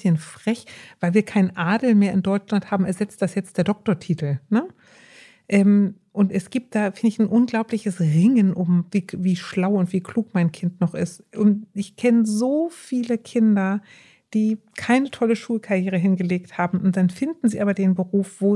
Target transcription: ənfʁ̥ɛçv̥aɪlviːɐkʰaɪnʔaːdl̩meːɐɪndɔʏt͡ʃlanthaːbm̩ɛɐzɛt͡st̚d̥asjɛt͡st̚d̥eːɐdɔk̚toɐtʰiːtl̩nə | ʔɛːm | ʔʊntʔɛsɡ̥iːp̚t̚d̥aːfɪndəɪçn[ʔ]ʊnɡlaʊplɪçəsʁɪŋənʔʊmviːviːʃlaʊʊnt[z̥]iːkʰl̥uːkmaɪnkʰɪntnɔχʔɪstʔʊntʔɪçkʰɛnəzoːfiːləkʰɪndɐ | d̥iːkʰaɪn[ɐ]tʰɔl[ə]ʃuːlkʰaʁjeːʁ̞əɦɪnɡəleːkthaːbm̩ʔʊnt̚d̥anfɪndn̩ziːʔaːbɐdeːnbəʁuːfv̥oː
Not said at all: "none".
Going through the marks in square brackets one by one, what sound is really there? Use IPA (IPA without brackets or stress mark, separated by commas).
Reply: ʔ, v̥, ə, ə